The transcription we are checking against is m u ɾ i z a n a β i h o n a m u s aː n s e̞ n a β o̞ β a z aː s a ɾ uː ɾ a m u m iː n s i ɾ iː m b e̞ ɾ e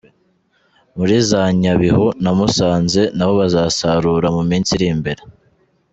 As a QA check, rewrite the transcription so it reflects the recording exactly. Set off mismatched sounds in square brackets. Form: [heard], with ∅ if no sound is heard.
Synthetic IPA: m u ɾ i z a [ɲ] a β i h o n a m u s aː n [z] e̞ n a β o̞ β a z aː s a ɾ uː ɾ a m u m iː n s i ɾ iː m b e̞ ɾ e